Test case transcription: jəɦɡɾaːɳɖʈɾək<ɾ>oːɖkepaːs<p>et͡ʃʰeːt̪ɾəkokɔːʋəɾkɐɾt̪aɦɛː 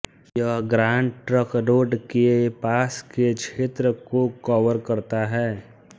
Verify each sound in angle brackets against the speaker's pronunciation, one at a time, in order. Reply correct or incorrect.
correct, incorrect: k

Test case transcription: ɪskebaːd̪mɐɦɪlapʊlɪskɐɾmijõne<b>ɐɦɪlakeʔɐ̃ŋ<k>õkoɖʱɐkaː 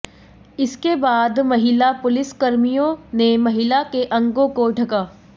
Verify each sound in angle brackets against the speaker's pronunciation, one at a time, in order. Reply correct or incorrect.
incorrect: m, incorrect: ɡ

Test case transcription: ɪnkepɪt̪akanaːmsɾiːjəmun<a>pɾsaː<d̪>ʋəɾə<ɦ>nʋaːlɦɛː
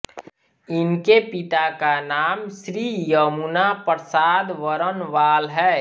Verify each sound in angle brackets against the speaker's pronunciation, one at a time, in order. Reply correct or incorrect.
correct, correct, incorrect: none

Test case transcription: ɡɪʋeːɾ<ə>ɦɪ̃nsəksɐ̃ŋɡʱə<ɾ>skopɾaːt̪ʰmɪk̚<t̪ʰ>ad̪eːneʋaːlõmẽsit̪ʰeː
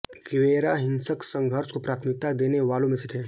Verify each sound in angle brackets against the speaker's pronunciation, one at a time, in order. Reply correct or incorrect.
incorrect: a, correct, incorrect: t̪

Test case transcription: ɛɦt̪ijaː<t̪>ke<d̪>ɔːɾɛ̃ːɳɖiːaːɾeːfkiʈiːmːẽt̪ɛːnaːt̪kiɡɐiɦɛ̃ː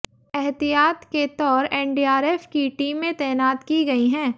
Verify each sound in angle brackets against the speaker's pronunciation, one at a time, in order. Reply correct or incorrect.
correct, incorrect: t̪

